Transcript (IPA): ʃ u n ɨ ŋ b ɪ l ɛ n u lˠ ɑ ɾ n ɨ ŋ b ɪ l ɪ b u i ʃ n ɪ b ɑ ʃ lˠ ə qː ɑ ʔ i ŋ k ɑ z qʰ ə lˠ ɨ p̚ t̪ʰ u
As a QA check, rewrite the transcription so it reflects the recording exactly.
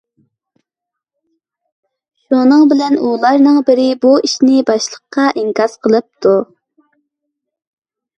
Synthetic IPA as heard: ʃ u n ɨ ŋ b ɪ l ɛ n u lˠ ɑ ɾ n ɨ ŋ b ɪ ɾ ɪ b u i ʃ n ɪ b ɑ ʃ lˠ ə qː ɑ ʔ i ŋ k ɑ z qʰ ə lˠ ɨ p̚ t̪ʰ u